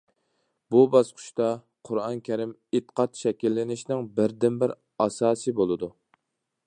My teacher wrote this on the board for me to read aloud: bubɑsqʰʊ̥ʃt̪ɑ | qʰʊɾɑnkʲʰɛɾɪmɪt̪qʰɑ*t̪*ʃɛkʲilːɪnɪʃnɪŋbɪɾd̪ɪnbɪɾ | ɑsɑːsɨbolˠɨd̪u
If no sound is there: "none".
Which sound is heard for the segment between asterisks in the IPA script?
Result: t̪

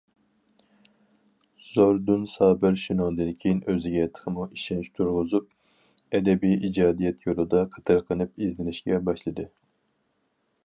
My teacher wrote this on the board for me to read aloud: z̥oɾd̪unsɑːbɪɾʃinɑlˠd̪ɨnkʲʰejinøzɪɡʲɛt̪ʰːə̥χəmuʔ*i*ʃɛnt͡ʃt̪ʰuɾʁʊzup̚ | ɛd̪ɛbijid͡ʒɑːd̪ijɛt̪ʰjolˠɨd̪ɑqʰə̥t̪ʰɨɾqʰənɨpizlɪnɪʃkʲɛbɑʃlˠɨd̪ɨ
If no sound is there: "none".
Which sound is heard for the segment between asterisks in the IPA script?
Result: i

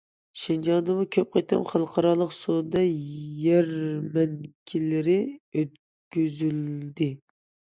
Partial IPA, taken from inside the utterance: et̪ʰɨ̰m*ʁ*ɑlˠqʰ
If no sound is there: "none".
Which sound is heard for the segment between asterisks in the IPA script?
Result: χ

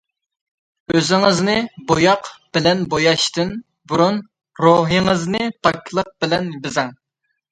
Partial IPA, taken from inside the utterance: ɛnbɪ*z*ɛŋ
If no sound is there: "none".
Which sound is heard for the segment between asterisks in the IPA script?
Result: z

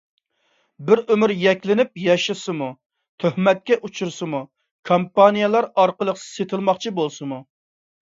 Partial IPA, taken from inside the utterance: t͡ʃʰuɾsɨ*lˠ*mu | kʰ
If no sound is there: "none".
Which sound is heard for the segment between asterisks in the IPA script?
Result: none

